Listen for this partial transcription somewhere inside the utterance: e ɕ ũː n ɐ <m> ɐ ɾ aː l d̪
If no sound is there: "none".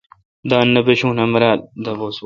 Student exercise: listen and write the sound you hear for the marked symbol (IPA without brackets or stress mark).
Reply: m